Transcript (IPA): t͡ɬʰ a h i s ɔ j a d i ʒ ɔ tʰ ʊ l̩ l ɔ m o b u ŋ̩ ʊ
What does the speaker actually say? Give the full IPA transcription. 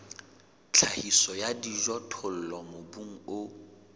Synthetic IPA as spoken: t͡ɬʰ a h i s ɔ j a d i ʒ ɔ tʰ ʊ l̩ l ɔ m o b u ŋ̩ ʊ